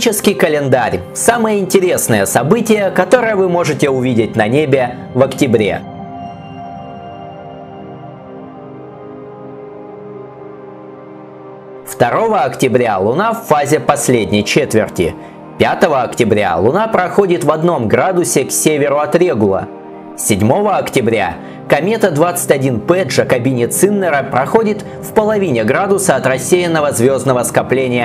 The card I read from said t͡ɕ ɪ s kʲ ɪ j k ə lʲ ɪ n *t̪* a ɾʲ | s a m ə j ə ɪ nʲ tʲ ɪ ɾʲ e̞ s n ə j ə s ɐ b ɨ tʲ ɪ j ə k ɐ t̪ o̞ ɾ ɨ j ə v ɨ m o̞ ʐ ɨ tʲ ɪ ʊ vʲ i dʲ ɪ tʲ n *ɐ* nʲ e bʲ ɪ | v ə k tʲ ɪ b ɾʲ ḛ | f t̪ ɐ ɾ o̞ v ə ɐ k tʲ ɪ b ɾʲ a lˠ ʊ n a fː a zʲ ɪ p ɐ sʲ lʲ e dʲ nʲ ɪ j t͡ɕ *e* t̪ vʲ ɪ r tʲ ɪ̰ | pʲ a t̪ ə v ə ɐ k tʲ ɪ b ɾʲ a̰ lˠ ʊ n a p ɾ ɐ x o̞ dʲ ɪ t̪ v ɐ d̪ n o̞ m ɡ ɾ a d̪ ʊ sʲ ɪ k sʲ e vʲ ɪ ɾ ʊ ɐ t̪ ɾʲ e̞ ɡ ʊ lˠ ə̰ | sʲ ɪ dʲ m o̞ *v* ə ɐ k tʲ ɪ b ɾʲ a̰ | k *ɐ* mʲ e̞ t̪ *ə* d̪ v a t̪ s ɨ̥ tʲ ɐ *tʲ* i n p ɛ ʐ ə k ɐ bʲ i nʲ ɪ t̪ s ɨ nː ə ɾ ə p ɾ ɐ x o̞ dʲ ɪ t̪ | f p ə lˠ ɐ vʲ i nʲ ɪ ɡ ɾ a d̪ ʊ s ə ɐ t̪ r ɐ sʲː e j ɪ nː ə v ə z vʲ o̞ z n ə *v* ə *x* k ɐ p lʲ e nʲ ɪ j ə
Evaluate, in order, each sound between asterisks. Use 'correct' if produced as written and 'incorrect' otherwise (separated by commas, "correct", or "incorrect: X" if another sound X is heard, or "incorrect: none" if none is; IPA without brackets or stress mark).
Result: incorrect: d̪, correct, correct, correct, correct, correct, incorrect: dʲ, correct, incorrect: s